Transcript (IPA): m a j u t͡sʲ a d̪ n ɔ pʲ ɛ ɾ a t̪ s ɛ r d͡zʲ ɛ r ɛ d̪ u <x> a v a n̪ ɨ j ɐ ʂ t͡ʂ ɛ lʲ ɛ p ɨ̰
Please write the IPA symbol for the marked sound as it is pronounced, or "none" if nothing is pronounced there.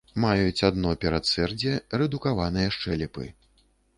k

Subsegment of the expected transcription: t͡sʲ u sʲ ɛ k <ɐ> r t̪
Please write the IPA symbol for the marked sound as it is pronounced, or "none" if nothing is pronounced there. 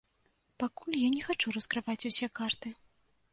a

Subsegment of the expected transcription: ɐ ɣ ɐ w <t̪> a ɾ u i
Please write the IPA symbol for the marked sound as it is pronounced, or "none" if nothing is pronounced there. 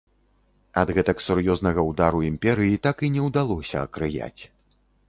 d̪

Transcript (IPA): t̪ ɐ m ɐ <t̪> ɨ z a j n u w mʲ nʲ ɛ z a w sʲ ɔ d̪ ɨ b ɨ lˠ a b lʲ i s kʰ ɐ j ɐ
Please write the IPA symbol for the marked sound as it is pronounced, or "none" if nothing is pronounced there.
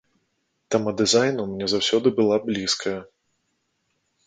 d̪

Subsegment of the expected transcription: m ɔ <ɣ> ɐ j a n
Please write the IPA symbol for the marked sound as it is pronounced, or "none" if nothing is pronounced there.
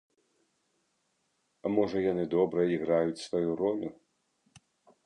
ʐ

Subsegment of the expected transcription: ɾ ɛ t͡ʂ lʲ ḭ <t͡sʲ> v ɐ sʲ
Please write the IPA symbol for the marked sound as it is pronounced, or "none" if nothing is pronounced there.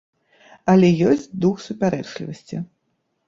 none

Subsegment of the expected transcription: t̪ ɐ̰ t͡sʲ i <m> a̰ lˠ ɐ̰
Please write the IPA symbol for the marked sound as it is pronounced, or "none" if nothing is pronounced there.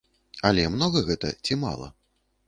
m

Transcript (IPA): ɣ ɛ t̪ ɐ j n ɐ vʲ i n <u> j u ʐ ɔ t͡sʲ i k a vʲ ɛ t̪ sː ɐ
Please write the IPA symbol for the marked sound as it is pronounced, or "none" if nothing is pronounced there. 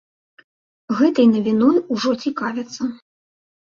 ɔ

